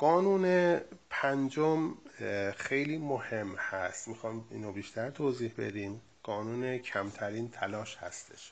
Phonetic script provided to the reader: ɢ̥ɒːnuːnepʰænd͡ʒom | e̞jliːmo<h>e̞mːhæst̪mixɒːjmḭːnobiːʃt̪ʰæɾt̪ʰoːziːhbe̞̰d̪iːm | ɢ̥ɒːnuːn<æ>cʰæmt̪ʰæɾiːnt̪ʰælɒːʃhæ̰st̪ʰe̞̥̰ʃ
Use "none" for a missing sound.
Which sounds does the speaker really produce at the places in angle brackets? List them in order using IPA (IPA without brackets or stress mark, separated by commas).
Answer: h, e